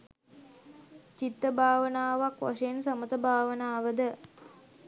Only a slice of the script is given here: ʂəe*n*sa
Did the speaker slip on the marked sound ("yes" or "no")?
no